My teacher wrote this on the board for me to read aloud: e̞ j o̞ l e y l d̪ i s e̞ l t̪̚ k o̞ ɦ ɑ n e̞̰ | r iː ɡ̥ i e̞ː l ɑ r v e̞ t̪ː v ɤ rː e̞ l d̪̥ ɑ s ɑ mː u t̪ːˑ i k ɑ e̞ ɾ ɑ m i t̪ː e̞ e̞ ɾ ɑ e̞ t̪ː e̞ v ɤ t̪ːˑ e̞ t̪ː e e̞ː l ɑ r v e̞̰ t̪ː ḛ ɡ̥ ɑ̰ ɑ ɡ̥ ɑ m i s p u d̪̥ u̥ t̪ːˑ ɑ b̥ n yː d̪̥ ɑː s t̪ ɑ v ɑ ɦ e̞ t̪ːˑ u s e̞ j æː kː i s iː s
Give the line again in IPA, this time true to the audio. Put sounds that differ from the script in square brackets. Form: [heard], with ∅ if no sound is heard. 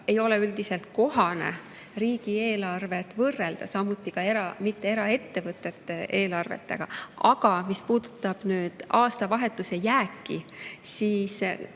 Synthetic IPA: e̞ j o̞ l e y l d̪ i s e̞ l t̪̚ k o̞ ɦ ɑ n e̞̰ | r iː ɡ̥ i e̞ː l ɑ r v e̞ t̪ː v ɤ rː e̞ l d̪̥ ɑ s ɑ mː u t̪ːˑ i k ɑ e̞ ɾ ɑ m i t̪ː e̞ e̞ ɾ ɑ e̞ t̪ː e̞ v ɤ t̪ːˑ e̞ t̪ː e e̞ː l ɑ r v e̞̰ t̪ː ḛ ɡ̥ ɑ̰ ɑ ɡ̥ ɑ m i s p [uː] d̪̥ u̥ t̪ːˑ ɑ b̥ n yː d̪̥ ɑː s t̪ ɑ v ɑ ɦ e̞ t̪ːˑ u s e̞ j æː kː i s iː s

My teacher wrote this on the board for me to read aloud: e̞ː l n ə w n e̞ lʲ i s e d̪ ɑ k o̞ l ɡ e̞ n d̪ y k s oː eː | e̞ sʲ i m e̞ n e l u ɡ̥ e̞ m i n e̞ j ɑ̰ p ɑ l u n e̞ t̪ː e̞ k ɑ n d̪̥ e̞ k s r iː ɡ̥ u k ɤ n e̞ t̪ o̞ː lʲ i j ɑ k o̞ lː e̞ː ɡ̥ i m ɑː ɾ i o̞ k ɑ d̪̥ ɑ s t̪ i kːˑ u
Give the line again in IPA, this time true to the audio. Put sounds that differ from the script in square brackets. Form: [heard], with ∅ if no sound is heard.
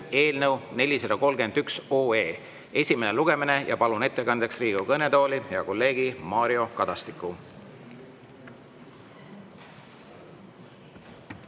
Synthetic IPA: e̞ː l n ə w n e̞ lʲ i s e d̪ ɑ k o̞ l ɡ e̞ n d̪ y k s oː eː | e̞ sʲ i m e̞ n e l u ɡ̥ e̞ m i n e̞ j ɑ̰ p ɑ l u n e̞ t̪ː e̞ k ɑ n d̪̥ e̞ k s r iː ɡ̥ u k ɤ n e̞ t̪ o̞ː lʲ i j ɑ k o̞ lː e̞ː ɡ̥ i m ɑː ɾ i o̞ k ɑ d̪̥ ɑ s t̪ i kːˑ u

